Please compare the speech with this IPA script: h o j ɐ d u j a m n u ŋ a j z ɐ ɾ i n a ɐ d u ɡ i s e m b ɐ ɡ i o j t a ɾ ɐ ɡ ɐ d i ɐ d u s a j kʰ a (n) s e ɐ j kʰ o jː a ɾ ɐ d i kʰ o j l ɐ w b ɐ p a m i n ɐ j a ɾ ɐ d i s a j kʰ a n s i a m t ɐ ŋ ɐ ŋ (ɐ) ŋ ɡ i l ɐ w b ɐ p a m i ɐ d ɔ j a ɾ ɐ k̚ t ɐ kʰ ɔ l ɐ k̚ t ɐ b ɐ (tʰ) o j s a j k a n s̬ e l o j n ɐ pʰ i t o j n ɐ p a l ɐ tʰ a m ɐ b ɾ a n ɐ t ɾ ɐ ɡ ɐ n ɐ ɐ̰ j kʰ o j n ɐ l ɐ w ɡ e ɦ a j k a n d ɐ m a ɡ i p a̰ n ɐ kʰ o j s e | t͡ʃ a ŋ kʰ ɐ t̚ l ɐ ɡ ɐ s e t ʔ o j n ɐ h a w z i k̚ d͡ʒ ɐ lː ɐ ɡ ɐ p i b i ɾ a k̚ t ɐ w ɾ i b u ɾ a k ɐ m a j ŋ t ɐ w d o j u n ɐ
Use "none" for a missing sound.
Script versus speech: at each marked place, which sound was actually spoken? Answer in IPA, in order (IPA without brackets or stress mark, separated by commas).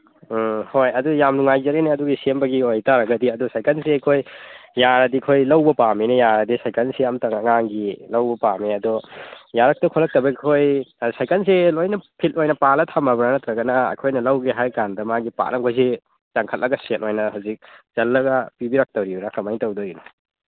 n, a, kʰ